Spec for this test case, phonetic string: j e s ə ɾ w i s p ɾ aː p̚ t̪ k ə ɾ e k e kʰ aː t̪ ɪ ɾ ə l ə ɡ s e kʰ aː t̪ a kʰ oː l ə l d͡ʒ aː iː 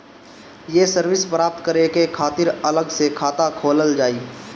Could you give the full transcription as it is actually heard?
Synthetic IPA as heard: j e s ə ɾ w ɪ s p ɾ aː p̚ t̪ k ə ɾ e k e kʰ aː t̪ ɪ ɾ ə l ə ɡ s e kʰ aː t̪ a kʰ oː l ə l d͡ʒ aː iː